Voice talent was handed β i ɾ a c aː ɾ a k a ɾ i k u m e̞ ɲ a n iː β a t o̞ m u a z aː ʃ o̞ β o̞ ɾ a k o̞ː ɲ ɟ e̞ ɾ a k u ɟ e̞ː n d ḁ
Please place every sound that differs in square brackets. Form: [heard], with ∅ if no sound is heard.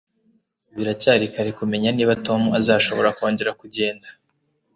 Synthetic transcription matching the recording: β i ɾ a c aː ɾ [i] k a ɾ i k u m e̞ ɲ a n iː β a t o̞ m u a z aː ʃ o̞ β o̞ ɾ a k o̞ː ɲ ɟ e̞ ɾ a k u ɟ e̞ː n d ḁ